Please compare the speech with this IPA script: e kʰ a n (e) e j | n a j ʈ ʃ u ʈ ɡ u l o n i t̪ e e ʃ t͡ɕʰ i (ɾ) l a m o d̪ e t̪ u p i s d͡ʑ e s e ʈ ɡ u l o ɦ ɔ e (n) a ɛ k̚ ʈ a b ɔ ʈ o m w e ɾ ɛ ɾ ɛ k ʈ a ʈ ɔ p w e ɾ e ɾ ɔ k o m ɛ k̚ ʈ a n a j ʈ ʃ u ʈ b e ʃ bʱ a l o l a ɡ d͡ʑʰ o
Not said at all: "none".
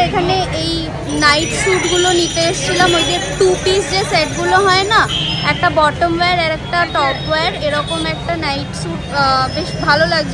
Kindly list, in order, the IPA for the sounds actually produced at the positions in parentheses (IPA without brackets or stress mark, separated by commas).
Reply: e, none, n